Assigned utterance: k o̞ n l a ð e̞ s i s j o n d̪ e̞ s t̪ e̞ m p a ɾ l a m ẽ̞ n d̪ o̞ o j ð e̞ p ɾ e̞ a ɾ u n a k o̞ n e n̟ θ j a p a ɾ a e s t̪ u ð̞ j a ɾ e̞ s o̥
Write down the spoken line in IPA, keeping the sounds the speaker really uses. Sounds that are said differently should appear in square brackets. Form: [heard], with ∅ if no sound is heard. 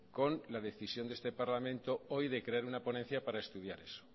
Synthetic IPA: k o̞ n l a ð e̞ [θ] i s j o n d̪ e̞ s t̪ e̞ [∅] p a ɾ l a m ẽ̞ n [t̪] o̞ o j ð e̞ [k] ɾ e̞ a ɾ u n a [p] o̞ n e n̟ θ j a p a ɾ a e s t̪ u ð̞ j a ɾ e̞ s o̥